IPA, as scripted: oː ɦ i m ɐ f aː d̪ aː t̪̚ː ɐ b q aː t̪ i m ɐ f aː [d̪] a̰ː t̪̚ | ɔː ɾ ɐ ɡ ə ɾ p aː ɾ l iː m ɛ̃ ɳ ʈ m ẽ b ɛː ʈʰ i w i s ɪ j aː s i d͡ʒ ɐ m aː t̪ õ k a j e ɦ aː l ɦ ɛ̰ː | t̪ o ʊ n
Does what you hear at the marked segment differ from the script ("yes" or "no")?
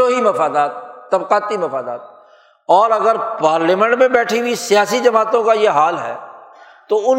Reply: no